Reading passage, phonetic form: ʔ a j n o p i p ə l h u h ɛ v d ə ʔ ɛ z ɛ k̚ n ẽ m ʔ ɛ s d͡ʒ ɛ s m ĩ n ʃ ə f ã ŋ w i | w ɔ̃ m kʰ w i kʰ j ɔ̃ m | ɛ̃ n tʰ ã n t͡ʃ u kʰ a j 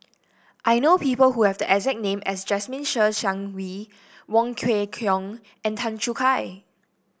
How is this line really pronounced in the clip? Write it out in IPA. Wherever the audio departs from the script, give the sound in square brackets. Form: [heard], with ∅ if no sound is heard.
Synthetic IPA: ʔ a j n o p i p ə l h u h ɛ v d ə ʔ ɛ z ɛ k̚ n ẽ m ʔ ɛ s d͡ʒ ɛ s m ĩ n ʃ ə [ʃ] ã ŋ w i | w ɔ̃ [ŋ] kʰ w [e] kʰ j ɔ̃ [ŋ] | ɛ̃ n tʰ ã n t͡ʃ u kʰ a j